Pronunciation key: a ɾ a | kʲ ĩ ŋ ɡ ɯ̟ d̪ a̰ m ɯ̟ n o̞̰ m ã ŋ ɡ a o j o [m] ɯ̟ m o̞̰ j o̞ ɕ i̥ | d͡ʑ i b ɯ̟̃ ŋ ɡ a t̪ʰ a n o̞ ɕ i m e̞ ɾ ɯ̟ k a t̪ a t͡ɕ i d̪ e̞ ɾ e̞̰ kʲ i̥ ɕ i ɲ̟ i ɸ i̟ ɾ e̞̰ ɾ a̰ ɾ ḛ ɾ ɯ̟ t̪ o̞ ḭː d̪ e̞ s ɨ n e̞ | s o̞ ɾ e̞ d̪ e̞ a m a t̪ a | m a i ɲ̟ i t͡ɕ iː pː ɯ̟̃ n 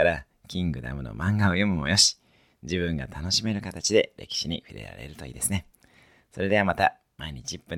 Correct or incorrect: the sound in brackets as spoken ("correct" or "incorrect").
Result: correct